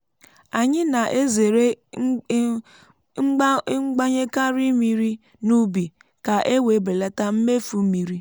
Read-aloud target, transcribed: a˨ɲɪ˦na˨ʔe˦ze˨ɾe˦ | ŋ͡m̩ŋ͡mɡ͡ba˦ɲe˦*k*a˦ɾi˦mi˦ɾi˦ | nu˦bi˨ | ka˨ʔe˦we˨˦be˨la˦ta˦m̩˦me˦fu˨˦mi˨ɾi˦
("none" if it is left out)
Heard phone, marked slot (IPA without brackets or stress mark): k